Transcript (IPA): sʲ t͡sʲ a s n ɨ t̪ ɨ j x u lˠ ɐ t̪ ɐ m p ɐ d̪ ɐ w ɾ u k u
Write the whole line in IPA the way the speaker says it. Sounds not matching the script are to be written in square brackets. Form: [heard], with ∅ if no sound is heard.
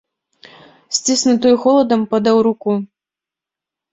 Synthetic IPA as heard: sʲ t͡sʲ [i] s n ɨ t̪ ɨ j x [ɔ] lˠ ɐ [d̪] ɐ m p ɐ d̪ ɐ w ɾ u k u